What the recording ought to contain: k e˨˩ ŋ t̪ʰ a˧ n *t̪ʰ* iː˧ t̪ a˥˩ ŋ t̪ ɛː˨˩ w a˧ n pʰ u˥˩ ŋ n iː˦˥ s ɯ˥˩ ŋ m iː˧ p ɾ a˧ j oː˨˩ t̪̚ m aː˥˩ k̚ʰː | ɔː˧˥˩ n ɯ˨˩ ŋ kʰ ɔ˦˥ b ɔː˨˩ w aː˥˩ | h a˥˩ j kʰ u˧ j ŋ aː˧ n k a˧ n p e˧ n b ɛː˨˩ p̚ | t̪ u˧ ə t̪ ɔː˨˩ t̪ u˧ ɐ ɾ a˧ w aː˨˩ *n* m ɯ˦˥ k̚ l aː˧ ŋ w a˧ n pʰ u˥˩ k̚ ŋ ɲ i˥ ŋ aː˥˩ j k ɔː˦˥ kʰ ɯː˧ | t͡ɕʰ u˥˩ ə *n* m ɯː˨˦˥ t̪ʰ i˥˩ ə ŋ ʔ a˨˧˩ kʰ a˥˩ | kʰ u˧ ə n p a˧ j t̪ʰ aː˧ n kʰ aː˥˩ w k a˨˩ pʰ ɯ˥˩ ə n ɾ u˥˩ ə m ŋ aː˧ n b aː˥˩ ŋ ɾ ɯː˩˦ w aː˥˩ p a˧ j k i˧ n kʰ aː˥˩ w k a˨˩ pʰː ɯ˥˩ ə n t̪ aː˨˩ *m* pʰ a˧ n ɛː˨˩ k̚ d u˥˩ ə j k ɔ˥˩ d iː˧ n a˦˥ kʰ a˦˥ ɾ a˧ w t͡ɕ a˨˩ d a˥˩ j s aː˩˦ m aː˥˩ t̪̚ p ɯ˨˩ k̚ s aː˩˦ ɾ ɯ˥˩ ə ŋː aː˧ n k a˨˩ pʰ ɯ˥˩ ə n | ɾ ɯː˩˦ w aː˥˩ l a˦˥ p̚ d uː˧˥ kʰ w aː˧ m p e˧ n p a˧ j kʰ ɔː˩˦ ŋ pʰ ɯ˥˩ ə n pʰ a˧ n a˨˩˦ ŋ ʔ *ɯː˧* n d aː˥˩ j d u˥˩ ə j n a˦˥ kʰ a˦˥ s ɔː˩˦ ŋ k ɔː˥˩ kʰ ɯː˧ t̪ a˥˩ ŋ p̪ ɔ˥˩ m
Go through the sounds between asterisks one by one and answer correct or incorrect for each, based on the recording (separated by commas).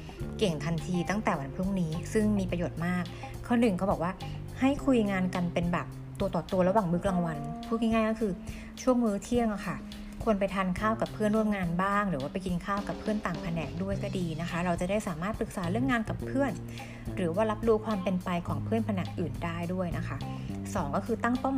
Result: correct, incorrect, incorrect, incorrect, incorrect